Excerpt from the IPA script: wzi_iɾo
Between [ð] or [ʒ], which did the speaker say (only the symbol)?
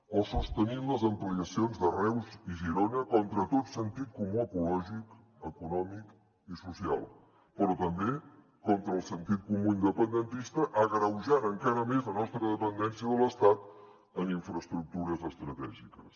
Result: ʒ